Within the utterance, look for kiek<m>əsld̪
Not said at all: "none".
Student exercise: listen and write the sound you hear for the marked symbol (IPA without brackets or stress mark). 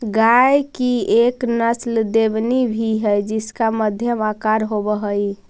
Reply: n